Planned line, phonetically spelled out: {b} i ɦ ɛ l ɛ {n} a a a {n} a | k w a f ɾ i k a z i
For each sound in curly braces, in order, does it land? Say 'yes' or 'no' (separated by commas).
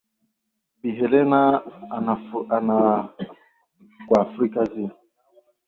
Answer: yes, yes, yes